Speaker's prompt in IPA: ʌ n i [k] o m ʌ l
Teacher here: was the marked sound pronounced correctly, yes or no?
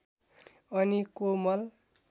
yes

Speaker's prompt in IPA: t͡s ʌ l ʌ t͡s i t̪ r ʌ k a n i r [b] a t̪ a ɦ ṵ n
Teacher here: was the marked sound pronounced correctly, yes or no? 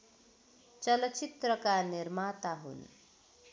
no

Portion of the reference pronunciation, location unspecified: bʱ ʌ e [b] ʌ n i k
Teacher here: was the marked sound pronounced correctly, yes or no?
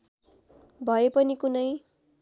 no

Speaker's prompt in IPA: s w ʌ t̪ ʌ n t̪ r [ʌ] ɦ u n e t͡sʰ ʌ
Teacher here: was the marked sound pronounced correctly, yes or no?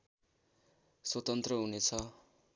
yes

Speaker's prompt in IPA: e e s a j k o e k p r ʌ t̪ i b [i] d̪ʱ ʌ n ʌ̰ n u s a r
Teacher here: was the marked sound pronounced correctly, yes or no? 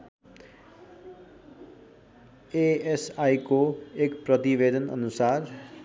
no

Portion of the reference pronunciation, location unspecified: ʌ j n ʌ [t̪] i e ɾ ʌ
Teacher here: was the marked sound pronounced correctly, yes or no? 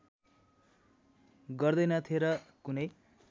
no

